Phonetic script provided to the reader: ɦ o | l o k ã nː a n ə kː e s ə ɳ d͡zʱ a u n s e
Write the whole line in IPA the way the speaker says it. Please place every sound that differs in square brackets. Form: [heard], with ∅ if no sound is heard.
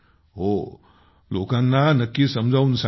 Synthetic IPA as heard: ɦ o | l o k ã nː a n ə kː [i] s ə [m] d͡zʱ a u n s [a]